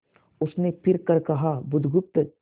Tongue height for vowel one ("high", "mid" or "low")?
high